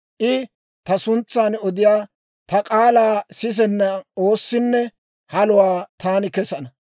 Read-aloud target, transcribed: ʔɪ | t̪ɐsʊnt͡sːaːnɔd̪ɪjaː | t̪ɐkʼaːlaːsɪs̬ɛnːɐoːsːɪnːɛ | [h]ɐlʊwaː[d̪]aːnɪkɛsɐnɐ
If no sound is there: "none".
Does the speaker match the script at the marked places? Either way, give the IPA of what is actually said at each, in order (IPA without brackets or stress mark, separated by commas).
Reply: h, t̪